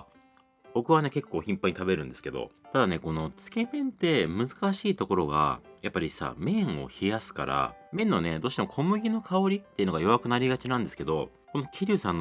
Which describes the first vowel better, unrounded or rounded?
rounded